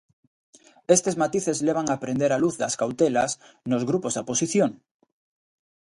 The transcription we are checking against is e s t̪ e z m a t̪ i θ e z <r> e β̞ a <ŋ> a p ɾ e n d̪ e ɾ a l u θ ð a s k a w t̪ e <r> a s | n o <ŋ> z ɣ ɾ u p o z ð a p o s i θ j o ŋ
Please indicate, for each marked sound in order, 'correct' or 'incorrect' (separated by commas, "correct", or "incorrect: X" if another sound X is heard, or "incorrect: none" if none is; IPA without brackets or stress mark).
incorrect: l, correct, incorrect: l, incorrect: none